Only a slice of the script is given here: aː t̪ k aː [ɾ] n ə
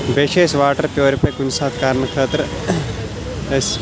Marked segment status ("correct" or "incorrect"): correct